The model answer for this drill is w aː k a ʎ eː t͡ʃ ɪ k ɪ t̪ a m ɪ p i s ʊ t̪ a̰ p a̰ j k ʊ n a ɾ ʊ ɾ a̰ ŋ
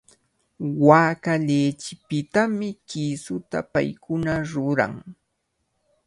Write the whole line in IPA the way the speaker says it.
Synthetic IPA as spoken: w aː k a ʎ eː t͡ʃ ɪ p ɪ t̪ a m ɪ k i s ʊ t̪ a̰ p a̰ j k ʊ n a ɾ ʊ ɾ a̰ ŋ